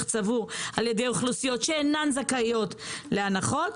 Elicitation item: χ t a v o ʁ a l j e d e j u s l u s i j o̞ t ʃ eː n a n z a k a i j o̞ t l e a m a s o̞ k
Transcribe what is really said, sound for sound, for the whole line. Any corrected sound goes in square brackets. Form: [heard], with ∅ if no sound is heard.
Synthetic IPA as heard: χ [t͡s] a v [u] ʁ a l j e d e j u [χ] l u s i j o̞ t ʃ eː n a n z a k a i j o̞ t l e a [n] a [χ] o̞ [t]